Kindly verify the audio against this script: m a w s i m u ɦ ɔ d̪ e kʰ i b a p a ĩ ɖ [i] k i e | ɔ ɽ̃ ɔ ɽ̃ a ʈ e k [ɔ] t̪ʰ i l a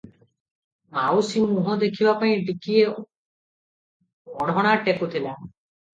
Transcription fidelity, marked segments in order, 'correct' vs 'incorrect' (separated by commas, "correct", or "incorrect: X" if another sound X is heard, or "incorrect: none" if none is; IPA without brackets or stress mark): correct, incorrect: u